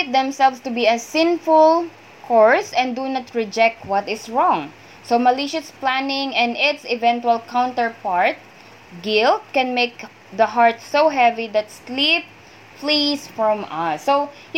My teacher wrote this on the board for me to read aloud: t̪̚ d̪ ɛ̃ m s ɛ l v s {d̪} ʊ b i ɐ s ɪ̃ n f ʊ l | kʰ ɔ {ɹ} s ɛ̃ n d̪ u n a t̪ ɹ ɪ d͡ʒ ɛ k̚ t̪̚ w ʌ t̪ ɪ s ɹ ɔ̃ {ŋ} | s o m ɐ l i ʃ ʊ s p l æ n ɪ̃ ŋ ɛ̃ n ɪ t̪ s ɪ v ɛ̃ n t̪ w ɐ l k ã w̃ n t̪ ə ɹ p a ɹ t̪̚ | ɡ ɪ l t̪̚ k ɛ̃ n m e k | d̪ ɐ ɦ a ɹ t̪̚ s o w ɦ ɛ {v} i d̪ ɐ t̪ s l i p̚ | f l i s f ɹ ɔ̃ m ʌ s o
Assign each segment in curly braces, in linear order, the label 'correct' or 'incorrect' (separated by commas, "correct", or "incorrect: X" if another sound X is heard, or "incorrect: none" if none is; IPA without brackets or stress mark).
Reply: incorrect: t̪, correct, correct, correct